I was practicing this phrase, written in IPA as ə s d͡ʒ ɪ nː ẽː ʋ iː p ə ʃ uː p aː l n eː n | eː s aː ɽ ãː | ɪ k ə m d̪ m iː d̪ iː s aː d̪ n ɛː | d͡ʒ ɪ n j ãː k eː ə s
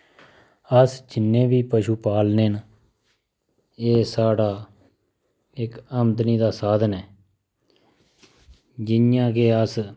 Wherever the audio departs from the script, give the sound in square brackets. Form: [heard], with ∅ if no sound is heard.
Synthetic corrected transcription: ə s d͡ʒ ɪ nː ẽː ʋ iː p ə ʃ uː p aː l n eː n | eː s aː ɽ [aː] | ɪ k ə m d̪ [n] iː d̪ [aː] s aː d̪ n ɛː | d͡ʒ ɪ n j ãː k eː ə s

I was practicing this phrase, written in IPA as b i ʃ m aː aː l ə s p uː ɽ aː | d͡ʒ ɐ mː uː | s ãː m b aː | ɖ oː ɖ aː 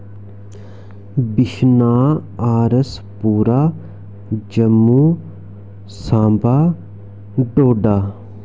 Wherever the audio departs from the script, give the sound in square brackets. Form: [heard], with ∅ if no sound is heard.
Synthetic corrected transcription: b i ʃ [n] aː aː [ɾ] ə s p uː [ɾ] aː | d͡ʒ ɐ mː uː | s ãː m b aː | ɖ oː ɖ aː

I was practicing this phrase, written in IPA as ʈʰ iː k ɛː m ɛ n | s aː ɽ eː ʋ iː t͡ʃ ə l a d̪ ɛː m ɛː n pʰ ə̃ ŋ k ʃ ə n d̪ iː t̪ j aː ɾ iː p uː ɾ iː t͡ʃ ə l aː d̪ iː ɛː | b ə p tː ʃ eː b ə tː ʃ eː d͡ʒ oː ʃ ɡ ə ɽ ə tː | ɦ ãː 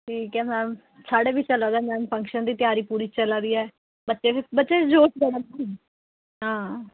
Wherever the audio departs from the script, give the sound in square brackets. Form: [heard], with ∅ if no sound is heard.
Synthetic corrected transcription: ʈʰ iː k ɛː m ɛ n | s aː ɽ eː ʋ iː t͡ʃ ə l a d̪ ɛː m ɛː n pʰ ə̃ ŋ k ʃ ə n d̪ iː t̪ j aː ɾ iː p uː ɾ iː t͡ʃ ə l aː d̪ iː ɛː | b ə [∅] tː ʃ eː b ə tː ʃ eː d͡ʒ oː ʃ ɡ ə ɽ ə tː | ɦ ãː

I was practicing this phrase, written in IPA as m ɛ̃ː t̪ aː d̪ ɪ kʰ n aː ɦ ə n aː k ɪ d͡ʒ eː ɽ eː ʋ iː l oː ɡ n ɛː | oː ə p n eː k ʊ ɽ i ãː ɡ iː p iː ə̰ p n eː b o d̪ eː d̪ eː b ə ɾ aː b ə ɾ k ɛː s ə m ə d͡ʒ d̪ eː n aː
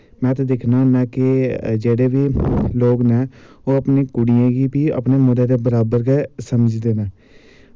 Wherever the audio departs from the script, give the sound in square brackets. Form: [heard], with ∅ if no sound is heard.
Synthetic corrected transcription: m ɛ̃ː t̪ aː d̪ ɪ kʰ n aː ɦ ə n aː k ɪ d͡ʒ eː ɽ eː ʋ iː l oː ɡ n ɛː | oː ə p n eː k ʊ ɽ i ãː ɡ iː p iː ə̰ p n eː [m] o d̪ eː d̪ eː b ə ɾ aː b ə ɾ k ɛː s ə m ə d͡ʒ d̪ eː n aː

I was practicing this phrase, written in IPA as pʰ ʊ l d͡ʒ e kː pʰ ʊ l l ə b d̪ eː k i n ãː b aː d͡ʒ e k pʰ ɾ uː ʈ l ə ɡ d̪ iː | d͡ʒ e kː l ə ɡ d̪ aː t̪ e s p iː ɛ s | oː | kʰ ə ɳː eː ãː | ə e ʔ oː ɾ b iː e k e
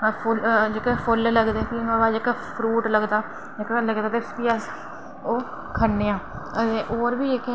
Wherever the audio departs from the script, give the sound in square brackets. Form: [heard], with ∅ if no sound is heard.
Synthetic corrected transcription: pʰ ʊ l d͡ʒ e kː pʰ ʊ l l ə [ɡ] d̪ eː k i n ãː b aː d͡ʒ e k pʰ ɾ uː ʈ l ə ɡ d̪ [aː] | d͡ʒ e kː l ə ɡ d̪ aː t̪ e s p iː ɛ s | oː | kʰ ə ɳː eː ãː | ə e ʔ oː ɾ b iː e k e

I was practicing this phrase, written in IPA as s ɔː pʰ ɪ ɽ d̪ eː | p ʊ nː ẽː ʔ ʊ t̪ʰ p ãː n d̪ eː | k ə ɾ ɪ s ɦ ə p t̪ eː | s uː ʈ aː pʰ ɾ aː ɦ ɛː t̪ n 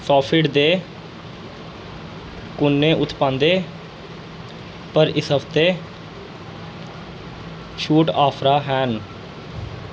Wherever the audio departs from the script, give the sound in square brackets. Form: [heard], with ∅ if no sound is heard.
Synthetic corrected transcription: s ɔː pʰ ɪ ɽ d̪ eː | [k] ʊ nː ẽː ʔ ʊ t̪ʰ p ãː n d̪ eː | [p] ə ɾ ɪ s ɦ ə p t̪ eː | [ʃ] uː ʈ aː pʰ ɾ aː ɦ ɛː [∅] n

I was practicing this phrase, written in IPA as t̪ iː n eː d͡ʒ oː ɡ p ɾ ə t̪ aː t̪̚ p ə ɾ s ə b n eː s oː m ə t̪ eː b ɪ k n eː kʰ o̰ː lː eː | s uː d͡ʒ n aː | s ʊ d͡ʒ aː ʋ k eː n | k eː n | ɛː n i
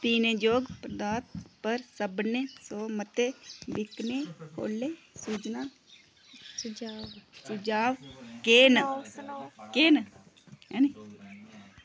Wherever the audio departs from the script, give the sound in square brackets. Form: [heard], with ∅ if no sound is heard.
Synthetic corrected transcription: t̪ iː n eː d͡ʒ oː ɡ p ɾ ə [d̪] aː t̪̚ p ə ɾ s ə b n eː s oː m ə t̪ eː b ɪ k n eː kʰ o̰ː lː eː | s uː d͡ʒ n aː | s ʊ d͡ʒ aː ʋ k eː n | k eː n | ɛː n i

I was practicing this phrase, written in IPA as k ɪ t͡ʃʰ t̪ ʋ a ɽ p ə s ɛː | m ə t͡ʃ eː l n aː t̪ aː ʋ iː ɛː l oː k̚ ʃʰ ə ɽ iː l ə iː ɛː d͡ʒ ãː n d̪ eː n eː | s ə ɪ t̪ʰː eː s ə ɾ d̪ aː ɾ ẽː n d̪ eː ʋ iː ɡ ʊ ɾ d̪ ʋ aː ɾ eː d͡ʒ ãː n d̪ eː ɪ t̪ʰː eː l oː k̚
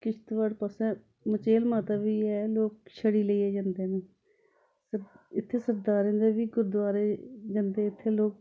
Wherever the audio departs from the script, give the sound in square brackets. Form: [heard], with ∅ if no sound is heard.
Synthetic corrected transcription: k ɪ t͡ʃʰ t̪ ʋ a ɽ p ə s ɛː | m ə t͡ʃ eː l [m] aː t̪ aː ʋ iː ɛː l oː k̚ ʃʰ ə ɽ iː l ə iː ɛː d͡ʒ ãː n d̪ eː n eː | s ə ɪ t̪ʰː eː s ə ɾ d̪ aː ɾ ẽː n d̪ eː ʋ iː ɡ ʊ ɾ d̪ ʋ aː ɾ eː d͡ʒ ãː n d̪ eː ɪ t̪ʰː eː l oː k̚

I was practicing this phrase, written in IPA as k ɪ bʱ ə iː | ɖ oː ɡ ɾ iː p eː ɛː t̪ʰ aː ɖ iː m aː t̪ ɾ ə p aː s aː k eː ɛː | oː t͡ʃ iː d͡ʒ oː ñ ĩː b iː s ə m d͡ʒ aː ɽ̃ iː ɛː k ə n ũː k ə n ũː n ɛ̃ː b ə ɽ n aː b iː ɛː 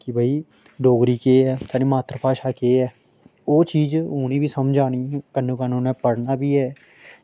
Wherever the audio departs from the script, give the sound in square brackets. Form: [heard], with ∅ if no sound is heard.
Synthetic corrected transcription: k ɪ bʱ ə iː | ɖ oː ɡ ɾ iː [k] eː ɛː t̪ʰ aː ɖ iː m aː t̪ ɾ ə p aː [ʃ] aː k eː ɛː | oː t͡ʃ iː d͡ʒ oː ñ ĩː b iː s ə m d͡ʒ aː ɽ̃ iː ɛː k ə n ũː k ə n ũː n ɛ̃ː [p] ə ɽ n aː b iː ɛː

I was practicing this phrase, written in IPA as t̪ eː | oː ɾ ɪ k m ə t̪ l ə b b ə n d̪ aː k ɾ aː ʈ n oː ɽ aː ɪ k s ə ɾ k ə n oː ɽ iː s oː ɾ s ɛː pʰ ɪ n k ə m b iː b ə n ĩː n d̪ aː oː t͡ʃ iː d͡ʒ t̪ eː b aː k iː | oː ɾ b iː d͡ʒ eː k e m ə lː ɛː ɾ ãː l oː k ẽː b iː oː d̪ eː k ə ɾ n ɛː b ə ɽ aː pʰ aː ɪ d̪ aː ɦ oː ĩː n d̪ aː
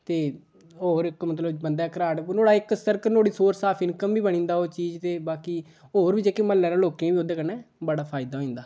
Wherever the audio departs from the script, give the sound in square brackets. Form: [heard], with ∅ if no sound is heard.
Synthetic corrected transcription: t̪ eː | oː ɾ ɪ k m ə t̪ l ə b b ə n d̪ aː k ɾ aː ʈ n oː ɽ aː ɪ k s ə ɾ k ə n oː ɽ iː s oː ɾ s [aː] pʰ ɪ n k ə m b iː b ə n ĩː n d̪ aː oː t͡ʃ iː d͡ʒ t̪ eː b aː k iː | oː ɾ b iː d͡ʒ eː k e m ə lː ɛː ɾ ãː l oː k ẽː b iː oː d̪ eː k ə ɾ n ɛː b ə ɽ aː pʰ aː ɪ d̪ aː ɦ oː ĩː n d̪ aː

